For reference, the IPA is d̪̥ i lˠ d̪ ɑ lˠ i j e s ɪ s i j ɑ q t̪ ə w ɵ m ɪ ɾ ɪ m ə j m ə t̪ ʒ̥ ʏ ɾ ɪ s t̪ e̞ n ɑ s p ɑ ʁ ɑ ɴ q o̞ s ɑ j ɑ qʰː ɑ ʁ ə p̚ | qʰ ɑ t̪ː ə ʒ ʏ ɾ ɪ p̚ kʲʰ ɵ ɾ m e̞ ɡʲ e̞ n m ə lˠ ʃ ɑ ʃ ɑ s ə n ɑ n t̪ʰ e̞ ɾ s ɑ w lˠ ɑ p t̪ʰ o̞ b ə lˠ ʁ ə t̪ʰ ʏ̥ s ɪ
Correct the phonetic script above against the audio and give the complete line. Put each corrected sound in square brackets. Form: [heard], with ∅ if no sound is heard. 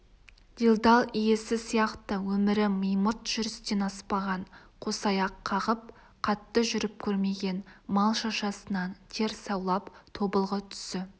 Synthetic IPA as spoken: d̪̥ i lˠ d̪ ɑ lˠ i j e s ɪ s i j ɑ q t̪ ə w ɵ m ɪ ɾ ɪ m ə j m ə t̪ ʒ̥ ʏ ɾ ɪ s t̪ e̞ n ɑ s p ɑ ʁ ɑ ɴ [qʰ] o̞ s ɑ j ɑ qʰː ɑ ʁ ə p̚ | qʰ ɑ t̪ː ə ʒ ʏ ɾ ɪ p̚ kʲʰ ɵ ɾ m e̞ ɡʲ e̞ n m [ɑ] lˠ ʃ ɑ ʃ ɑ s ə n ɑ n t̪ʰ e̞ ɾ s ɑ w lˠ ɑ p t̪ʰ o̞ b ə lˠ ʁ ə t̪ʰ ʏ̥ s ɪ